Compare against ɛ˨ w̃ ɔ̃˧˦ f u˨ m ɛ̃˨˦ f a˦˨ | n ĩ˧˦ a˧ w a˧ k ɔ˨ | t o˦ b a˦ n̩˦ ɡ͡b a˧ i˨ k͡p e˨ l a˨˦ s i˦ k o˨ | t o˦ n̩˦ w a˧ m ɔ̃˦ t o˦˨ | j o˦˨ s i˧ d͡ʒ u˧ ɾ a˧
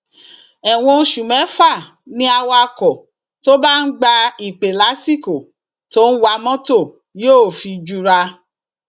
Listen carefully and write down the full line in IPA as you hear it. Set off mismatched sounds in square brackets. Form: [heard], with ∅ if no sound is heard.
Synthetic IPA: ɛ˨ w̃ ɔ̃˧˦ [ʃ] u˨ m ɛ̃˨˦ f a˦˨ | n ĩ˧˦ a˧ w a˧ k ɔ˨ | t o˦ b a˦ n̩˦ ɡ͡b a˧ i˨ k͡p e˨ l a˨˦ s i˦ k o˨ | t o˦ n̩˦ w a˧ m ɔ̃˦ t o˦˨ | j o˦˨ [f] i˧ d͡ʒ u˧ ɾ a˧